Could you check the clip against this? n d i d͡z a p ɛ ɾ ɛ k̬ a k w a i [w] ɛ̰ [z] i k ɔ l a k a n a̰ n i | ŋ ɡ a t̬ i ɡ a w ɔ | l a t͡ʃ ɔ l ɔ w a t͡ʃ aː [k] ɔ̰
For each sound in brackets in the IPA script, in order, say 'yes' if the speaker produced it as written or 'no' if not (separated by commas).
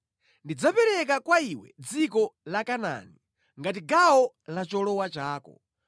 yes, no, yes